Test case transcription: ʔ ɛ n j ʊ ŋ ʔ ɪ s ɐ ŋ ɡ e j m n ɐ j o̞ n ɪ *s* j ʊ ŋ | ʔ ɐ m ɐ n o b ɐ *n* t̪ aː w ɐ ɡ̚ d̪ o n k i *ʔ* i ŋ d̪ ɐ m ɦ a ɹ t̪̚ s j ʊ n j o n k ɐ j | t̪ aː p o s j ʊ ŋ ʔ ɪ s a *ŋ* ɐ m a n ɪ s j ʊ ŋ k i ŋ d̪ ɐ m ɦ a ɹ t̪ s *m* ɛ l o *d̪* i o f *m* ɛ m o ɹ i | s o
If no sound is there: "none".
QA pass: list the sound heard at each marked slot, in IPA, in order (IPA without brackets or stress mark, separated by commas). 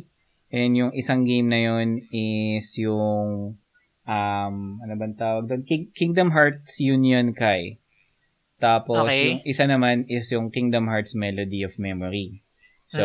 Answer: s, n, k, n, m, d̪, m